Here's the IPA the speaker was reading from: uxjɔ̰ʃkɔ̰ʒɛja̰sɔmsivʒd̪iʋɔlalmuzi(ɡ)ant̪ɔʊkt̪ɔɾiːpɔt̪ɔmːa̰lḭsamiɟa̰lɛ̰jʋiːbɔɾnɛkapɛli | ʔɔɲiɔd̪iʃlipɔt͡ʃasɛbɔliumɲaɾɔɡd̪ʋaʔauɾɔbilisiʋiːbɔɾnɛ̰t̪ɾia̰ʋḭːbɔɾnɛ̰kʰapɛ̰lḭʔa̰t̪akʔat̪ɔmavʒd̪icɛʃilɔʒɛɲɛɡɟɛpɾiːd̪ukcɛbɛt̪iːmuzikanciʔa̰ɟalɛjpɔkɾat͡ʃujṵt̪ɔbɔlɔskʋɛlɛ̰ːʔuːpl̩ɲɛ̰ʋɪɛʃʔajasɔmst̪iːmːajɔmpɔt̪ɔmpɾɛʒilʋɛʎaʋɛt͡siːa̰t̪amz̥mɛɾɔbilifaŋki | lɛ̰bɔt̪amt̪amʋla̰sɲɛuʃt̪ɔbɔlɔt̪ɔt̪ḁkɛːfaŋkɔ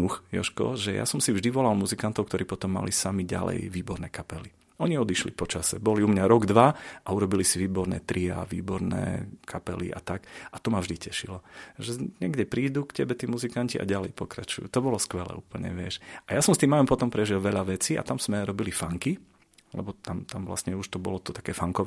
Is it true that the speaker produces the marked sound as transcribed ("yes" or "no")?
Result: no